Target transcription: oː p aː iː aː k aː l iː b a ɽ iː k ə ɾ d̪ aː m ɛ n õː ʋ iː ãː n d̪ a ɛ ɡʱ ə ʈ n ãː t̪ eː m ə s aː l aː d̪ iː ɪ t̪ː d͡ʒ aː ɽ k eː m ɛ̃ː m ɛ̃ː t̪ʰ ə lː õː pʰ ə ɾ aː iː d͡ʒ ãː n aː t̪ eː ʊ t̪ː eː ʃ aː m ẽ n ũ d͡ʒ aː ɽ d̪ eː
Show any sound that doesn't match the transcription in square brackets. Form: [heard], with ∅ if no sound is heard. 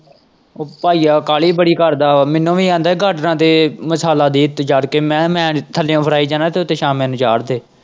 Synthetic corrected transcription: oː p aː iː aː k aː l iː b [ə] ɽ iː k ə ɾ d̪ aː m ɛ n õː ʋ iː ãː n d̪ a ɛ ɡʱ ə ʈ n ãː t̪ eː m ə s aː l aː d̪ iː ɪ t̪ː d͡ʒ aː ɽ k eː m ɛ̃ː m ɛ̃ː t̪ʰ ə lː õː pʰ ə ɾ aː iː d͡ʒ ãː n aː t̪ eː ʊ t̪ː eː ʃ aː m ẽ n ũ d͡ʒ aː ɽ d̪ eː